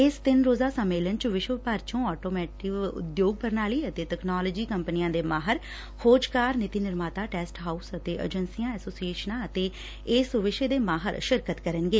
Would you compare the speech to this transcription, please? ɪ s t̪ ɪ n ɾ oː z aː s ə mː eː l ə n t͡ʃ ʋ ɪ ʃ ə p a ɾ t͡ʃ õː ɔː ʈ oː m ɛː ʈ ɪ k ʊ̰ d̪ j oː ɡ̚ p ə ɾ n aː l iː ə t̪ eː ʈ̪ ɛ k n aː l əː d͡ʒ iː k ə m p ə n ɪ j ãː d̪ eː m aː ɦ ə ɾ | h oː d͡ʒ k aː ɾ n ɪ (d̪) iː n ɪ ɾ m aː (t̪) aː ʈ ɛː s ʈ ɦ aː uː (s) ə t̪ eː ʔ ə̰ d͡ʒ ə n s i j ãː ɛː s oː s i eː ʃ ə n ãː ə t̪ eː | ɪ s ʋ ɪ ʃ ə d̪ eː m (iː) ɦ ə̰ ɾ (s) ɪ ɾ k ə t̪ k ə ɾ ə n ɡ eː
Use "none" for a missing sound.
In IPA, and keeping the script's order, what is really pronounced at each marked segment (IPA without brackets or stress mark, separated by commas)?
t̪, t̪, s, aː, ʃ